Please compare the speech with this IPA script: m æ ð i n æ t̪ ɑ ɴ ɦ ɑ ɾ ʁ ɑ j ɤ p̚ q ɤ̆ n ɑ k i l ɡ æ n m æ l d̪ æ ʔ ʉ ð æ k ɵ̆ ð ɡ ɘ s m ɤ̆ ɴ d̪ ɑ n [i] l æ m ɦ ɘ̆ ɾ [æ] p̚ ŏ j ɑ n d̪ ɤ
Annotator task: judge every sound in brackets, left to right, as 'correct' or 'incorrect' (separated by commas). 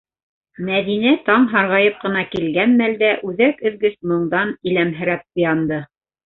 correct, correct